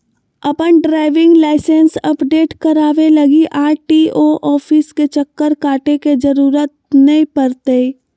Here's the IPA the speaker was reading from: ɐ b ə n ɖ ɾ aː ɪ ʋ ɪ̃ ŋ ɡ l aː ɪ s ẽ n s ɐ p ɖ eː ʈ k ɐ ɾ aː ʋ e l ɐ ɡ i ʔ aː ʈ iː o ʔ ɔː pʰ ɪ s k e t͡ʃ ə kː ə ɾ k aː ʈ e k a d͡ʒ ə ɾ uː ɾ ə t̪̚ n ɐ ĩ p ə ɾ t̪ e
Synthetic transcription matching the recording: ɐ p ə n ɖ ɾ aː ɪ ʋ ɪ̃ ŋ ɡ l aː ɪ s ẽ n s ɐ p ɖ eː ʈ k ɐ ɾ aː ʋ e l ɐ ɡ i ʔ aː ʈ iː o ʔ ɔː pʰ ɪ s k e t͡ʃ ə kː ə ɾ k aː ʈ e k e d͡ʒ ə ɾ uː ɾ ə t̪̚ n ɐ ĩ p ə ɾ t̪ e